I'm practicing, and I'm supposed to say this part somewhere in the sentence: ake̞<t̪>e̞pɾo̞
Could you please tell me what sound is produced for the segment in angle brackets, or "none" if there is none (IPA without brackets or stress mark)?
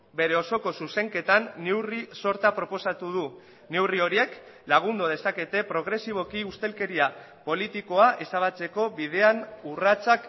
t̪